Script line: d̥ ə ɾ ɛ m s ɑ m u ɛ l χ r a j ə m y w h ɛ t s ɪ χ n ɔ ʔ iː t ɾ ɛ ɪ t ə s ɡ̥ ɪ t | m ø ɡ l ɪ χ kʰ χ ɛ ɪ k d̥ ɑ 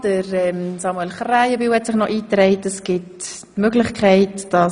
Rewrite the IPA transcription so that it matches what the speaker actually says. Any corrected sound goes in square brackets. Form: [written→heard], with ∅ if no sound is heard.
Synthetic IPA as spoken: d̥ ə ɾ ɛ m s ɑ m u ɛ l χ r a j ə [m→b] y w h ɛ t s ɪ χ n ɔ ʔ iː t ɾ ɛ ɪ t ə s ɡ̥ ɪ t | m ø ɡ l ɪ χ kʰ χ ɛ ɪ [k→t] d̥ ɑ